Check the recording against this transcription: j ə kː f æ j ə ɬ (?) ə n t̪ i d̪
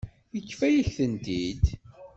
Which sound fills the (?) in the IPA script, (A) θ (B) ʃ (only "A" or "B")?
A